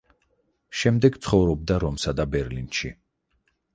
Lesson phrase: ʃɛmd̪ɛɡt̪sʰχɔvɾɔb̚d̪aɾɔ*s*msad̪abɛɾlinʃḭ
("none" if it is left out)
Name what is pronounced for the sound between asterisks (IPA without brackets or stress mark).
none